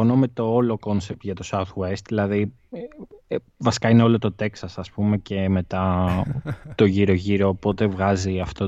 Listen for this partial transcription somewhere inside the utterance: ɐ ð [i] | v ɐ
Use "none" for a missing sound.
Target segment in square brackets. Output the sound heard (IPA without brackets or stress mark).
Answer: i